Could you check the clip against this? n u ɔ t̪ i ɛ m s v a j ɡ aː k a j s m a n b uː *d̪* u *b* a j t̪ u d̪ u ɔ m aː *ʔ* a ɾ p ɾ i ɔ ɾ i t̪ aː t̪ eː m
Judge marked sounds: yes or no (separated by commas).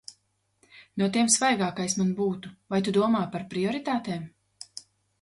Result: no, no, no